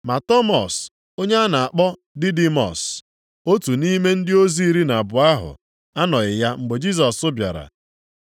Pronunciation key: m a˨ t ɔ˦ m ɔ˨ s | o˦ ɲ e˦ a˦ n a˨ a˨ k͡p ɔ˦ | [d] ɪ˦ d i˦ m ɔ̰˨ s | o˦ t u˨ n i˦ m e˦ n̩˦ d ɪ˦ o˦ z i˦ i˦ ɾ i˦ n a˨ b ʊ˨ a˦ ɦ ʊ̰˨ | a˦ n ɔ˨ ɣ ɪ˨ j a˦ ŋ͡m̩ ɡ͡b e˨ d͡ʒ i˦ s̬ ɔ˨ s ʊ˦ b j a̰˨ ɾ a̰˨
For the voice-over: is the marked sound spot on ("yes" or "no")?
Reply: yes